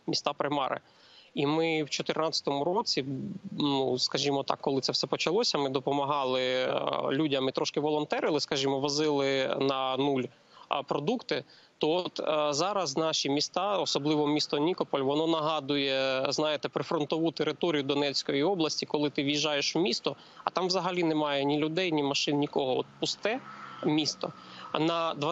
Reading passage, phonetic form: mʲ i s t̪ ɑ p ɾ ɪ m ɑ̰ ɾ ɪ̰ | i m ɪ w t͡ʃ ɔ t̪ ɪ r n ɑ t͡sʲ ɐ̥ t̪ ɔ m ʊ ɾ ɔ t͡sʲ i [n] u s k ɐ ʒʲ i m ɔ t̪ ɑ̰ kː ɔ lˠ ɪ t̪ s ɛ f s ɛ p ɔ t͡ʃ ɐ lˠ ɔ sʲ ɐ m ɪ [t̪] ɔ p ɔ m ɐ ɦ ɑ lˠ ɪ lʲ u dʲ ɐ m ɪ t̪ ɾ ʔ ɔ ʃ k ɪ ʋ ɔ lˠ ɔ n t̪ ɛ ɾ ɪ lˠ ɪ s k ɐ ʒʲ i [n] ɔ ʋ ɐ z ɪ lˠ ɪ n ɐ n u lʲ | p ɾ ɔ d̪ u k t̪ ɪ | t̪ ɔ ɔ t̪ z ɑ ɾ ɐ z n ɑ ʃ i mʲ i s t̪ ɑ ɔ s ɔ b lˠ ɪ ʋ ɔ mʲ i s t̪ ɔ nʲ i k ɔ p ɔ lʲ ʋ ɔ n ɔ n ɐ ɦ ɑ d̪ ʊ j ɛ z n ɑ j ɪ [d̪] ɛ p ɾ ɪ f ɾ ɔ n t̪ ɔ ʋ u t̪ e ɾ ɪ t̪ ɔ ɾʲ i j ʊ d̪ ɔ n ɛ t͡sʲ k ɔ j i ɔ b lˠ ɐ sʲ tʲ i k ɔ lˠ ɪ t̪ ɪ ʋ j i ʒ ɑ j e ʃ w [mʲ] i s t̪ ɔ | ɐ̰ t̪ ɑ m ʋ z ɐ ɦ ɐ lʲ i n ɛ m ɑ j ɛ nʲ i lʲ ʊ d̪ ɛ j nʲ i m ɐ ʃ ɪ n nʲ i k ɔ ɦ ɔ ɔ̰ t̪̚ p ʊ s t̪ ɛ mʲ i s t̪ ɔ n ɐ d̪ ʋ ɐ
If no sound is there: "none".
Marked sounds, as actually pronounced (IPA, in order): n, d̪, m, t̪, mʲ

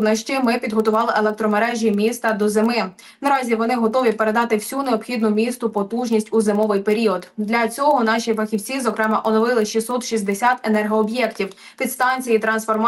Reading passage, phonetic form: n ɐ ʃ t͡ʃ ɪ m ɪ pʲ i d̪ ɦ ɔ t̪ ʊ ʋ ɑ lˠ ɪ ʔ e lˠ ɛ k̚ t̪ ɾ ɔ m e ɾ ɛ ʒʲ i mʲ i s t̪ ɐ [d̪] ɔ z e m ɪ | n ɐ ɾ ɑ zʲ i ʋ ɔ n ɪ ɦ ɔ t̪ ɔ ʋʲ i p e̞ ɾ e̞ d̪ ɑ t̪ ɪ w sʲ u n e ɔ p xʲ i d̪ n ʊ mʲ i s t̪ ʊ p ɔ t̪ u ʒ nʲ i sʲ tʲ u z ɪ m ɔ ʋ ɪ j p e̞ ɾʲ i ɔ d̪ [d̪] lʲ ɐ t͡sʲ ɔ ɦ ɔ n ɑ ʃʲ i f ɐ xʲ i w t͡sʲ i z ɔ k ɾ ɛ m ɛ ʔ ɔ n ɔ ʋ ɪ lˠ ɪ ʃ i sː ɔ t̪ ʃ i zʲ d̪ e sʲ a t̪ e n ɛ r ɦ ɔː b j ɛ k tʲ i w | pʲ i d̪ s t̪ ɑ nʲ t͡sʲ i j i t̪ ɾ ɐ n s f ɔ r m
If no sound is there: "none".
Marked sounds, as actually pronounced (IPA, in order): d̪, d̪

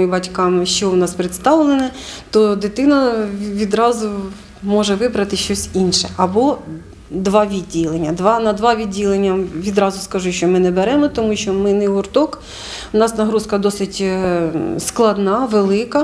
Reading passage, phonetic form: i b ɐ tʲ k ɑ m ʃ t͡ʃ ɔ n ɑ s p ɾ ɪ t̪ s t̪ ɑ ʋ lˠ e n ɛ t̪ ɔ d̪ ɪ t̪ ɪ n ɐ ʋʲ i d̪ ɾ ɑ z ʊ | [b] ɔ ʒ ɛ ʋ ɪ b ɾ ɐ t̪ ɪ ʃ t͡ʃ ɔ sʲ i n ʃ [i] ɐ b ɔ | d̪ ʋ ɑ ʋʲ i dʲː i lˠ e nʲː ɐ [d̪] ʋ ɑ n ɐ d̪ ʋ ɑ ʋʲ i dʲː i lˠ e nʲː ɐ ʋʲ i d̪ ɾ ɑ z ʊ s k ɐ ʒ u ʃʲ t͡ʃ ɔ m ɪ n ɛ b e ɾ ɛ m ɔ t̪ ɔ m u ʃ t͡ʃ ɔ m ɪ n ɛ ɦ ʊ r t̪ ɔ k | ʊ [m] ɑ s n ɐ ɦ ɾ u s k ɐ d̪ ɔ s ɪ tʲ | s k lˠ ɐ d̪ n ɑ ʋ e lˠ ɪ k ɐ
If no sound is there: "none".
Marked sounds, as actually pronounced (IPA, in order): m, ɛ, d̪, n

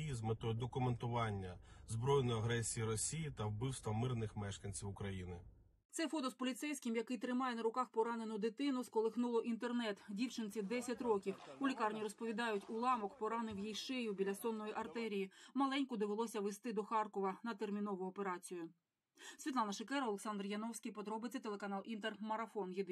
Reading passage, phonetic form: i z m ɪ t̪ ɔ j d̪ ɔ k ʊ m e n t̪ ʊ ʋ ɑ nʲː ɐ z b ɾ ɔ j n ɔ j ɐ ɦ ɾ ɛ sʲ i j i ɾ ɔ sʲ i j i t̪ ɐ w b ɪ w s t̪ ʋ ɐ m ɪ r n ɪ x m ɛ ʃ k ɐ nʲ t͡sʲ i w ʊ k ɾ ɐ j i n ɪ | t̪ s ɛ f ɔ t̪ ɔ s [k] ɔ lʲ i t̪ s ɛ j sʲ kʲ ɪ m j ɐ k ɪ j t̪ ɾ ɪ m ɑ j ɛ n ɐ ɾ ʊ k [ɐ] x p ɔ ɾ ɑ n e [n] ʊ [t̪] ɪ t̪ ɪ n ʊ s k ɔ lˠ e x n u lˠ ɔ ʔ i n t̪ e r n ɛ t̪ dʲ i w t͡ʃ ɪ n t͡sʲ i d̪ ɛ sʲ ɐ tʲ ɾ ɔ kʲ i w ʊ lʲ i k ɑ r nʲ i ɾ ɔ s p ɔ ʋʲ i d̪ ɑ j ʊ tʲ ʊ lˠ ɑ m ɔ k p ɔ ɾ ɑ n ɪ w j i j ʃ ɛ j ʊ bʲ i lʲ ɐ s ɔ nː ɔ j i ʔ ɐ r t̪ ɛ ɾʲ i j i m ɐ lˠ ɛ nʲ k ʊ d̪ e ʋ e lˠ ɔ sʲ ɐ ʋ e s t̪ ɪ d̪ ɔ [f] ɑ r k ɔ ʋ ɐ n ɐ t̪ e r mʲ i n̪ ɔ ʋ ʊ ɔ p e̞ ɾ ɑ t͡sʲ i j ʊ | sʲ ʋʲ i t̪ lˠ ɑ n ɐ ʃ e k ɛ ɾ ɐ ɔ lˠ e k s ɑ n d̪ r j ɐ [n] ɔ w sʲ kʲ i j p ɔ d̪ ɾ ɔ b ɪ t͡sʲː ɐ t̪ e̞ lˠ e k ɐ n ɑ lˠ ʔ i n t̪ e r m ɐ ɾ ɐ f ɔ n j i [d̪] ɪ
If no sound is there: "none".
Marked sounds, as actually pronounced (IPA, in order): p, ɑ, n, d̪, x, n, d̪

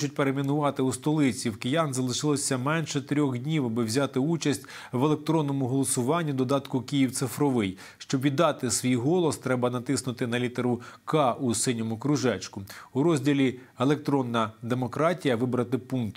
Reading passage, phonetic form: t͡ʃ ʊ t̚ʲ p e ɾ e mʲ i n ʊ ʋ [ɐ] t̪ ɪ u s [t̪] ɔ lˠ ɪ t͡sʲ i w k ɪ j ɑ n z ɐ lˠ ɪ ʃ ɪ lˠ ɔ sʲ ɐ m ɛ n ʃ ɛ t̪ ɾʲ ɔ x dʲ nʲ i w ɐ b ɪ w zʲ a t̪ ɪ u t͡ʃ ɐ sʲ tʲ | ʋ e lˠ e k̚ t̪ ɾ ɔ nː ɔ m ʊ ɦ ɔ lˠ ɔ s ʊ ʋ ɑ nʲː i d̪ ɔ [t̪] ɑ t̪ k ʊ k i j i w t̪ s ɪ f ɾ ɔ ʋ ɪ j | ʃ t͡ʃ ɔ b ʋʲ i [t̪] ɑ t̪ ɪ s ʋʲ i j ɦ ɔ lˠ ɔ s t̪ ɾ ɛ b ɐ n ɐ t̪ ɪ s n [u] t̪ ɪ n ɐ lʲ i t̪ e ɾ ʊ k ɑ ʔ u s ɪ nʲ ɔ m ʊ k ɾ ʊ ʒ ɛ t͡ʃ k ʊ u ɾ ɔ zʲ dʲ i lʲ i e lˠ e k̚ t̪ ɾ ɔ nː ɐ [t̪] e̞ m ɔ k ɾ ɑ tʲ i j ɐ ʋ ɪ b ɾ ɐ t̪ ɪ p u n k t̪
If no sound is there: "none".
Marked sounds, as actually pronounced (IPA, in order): ɑ, t̪, d̪, d̪, ʊ, d̪

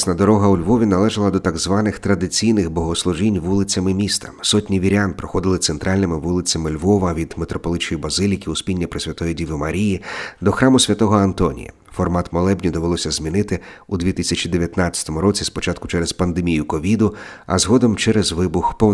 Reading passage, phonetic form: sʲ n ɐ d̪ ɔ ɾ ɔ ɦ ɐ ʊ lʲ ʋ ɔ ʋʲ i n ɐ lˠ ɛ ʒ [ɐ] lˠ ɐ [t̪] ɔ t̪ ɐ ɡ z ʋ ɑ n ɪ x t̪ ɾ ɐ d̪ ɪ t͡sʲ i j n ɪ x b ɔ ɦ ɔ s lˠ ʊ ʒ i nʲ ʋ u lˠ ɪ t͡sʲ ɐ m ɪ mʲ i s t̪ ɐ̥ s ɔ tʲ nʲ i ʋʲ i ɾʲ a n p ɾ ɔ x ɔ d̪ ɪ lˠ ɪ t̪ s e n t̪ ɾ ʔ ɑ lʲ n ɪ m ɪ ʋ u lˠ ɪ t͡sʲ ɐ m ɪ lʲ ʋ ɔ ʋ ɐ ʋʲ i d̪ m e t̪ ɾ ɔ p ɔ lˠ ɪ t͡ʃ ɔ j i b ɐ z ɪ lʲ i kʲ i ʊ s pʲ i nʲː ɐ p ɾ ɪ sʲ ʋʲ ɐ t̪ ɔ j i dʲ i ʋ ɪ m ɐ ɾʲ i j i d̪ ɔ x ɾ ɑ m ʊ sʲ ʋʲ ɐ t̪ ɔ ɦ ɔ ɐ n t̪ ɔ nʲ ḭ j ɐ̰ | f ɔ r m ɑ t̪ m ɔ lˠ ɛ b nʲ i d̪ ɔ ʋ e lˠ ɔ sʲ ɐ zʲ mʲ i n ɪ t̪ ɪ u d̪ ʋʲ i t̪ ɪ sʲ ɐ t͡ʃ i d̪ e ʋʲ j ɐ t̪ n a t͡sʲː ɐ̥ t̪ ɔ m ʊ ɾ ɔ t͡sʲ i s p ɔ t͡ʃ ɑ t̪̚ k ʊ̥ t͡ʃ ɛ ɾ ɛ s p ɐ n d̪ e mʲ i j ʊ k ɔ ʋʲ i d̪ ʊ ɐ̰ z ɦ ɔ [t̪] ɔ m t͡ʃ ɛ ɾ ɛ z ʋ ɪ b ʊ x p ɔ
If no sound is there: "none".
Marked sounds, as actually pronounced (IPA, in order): ɐ, d̪, d̪

